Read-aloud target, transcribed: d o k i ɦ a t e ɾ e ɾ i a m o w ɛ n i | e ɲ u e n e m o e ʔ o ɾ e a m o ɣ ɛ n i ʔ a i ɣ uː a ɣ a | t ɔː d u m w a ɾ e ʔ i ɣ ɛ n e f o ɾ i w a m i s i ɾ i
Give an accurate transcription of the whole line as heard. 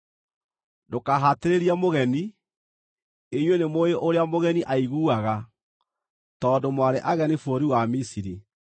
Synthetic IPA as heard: d o k a ɦ a t e ɾ e ɾ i a m o ɣ ɛ n i | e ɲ w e n e m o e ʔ o ɾ e a m o ɣ ɛ n i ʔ a i ɣ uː a ɣ a | t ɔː d o m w a ɾ e ʔ a ɣ ɛ n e f o ɾ i w a m i s i ɾ i